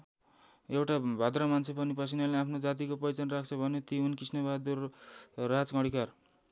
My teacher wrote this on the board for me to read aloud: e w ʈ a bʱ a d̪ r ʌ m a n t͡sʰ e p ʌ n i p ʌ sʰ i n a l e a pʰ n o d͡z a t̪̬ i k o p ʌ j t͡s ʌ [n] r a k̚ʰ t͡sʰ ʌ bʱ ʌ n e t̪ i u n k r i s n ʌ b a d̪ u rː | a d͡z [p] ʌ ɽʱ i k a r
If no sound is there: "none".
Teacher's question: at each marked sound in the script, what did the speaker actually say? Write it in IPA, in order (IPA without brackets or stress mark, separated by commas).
n, k